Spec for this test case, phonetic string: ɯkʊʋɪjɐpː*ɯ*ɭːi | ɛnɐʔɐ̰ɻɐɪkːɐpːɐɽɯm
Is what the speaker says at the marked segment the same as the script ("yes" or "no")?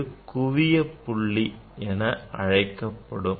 no